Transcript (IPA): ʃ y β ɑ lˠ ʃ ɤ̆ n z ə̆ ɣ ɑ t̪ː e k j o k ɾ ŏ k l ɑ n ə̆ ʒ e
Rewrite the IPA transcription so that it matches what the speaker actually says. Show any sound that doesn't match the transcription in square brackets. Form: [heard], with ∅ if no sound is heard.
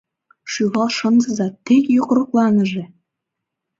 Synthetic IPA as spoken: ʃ y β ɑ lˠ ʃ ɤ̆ n z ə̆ [z] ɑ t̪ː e k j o k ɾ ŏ k l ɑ n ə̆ ʒ e